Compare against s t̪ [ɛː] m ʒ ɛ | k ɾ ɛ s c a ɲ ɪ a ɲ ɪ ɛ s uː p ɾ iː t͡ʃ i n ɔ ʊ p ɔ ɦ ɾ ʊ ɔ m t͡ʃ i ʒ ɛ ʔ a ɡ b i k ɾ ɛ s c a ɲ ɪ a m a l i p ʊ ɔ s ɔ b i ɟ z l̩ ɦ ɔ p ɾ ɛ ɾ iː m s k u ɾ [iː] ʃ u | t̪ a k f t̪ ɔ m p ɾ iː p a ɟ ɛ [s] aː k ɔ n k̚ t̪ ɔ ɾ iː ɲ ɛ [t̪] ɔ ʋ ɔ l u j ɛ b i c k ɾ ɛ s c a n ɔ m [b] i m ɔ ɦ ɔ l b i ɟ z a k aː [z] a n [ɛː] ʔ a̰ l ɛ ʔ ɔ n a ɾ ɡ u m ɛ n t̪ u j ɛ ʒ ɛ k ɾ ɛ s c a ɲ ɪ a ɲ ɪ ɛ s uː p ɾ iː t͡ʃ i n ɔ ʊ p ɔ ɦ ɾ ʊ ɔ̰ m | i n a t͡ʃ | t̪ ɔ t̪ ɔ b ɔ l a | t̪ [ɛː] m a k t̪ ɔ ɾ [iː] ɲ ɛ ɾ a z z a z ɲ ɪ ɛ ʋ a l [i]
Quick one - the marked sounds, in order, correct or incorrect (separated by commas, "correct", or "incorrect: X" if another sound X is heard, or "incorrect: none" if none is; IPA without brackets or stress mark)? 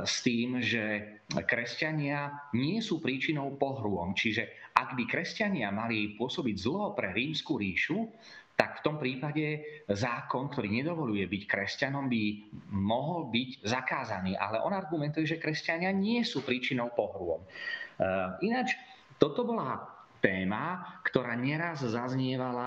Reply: incorrect: iː, correct, incorrect: z, incorrect: d̪, correct, correct, incorrect: iː, correct, incorrect: aː, incorrect: a